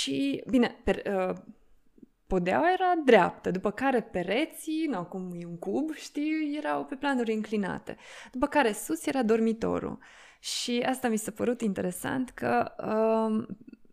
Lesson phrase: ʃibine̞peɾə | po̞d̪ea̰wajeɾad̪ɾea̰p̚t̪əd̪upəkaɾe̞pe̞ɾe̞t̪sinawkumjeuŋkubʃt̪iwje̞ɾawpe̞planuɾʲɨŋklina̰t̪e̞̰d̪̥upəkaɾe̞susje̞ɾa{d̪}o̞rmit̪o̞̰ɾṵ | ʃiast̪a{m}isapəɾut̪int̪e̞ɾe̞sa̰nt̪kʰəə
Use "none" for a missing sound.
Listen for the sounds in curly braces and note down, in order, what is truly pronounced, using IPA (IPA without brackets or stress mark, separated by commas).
d̪, m